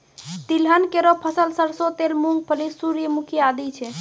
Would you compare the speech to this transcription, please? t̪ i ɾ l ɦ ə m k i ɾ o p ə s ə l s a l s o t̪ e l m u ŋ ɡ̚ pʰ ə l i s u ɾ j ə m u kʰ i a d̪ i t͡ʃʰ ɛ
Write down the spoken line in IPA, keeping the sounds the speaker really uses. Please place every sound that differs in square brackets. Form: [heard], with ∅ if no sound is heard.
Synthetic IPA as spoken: t̪ i [∅] l ɦ ə [n] k [e] ɾ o [pʰ] ə s ə l s [ə] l s o t̪ e l m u ŋ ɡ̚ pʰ ə l i s u ɾ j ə m u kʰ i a d̪ i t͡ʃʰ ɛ